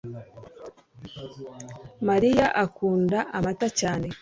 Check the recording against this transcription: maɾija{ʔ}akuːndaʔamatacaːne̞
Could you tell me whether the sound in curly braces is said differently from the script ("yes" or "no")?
no